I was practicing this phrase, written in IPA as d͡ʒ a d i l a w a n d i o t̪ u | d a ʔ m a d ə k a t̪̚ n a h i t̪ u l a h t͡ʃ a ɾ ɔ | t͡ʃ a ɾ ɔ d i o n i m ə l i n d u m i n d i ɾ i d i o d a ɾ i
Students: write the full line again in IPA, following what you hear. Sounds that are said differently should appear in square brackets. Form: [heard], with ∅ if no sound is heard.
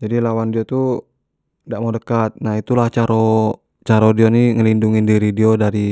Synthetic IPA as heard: d͡ʒ a d i l a w a n d i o t̪ u | d a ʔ m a d ə k a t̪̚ n a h i t̪ u l a h t͡ʃ a ɾ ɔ | t͡ʃ a ɾ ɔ d i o n i [ŋ] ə l i n d u [ŋ] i n d i ɾ i d i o d a ɾ i